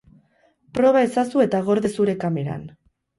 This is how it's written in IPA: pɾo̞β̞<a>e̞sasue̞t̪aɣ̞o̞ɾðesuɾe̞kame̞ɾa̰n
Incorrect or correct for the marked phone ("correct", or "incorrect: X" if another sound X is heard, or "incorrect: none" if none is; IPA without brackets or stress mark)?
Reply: correct